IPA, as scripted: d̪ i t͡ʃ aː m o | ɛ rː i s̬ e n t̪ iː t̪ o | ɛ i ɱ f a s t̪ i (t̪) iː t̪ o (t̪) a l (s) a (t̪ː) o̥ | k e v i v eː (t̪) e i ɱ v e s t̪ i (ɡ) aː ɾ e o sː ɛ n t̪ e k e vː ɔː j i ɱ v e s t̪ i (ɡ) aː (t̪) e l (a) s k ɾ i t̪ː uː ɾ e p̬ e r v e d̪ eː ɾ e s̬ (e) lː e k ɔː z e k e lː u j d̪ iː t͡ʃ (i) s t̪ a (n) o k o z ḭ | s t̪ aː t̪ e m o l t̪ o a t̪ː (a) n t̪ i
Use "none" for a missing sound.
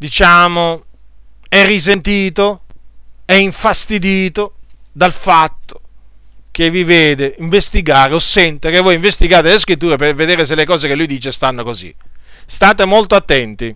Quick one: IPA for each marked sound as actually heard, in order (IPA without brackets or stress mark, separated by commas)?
d̪, d̪, f, t̪ː, d̪, ɡ, ɡ, t̪, e, e, e, nː, ɛ